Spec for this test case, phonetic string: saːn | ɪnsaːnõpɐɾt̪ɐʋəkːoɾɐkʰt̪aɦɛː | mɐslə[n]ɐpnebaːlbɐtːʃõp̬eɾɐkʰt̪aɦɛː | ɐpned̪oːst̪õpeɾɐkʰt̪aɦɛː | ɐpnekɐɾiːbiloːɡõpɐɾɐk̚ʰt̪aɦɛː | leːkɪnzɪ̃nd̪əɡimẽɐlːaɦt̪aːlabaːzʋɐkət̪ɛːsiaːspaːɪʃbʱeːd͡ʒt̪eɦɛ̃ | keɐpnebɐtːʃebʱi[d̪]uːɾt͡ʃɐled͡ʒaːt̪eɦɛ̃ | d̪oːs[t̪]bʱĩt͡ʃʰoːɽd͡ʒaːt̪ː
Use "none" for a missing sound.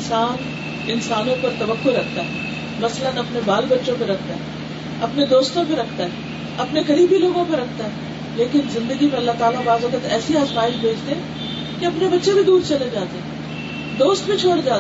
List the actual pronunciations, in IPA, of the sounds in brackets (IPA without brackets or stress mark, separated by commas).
n, d̪, t̪